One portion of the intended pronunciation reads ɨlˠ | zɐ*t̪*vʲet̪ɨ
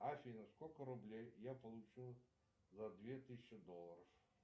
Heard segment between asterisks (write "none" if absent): d̪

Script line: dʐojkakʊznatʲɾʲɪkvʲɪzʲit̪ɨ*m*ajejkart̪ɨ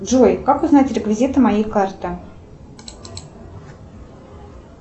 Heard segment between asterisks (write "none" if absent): m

